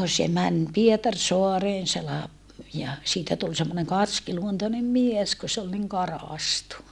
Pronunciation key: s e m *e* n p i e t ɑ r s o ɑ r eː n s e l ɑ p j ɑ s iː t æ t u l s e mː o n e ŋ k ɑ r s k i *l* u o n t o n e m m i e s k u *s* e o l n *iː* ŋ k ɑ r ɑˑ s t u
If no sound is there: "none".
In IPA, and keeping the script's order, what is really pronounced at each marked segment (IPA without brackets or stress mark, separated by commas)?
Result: æ, l, s, i